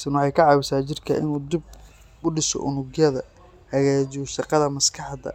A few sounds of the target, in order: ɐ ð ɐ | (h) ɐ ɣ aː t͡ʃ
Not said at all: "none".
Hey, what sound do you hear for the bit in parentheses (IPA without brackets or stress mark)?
h